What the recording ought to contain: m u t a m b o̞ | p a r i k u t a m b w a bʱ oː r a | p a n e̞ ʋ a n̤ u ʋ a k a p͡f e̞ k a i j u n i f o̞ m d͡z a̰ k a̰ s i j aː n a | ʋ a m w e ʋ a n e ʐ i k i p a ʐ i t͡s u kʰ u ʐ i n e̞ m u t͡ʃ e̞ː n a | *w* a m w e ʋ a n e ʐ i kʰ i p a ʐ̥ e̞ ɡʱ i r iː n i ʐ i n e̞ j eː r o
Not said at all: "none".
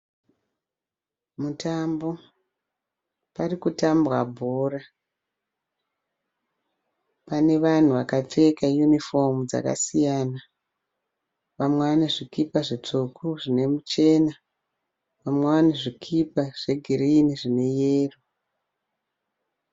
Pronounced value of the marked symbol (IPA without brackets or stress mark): ʋ